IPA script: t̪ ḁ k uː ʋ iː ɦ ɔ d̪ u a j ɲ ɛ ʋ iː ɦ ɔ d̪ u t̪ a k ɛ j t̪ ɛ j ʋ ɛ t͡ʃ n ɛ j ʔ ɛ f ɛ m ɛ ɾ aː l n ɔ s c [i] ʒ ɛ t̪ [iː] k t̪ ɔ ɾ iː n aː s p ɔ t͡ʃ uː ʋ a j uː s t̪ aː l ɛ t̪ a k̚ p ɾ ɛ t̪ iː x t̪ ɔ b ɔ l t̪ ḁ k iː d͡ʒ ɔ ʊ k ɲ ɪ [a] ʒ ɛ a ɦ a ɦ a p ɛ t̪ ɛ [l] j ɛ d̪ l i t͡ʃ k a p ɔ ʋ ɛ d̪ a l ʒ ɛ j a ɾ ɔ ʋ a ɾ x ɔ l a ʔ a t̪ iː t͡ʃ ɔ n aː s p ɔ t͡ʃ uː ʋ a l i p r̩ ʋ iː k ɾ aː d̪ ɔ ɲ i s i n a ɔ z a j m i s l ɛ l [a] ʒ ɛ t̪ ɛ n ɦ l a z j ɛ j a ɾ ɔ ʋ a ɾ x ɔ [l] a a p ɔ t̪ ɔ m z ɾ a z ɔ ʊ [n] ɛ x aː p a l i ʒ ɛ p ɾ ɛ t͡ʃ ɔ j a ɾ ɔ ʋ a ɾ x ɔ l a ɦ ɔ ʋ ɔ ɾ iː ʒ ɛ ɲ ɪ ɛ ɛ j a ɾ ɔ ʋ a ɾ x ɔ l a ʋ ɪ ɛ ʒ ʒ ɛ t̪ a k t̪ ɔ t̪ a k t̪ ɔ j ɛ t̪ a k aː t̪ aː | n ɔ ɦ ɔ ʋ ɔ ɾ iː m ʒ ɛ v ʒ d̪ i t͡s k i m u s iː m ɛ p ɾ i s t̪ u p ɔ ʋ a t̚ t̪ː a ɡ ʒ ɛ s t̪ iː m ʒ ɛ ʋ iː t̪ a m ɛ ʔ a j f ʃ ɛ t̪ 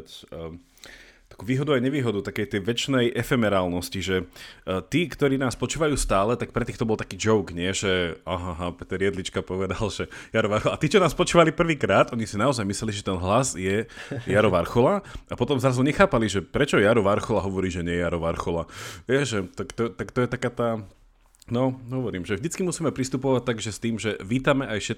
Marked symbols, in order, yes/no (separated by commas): yes, yes, no, no, no, yes, no